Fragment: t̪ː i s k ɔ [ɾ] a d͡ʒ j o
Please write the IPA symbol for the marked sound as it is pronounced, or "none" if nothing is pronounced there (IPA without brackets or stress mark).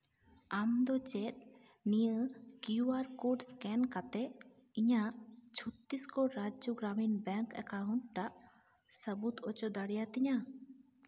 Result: ɾ